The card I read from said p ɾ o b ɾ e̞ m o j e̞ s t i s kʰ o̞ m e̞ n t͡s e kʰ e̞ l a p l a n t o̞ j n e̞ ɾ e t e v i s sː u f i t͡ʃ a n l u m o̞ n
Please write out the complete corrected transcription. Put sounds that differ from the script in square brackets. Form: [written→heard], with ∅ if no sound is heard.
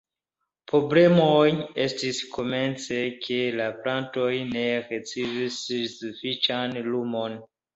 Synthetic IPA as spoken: p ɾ o b [ɾ→l] e̞ m o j e̞ s t i s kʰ o̞ m e̞ n t͡s e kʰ e̞ l a p l a n t o̞ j n e̞ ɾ e [t→t͡s] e v i s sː u f i t͡ʃ a n l u m o̞ n